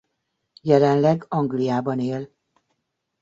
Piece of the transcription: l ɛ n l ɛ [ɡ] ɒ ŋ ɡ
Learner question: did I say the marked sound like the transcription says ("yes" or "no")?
yes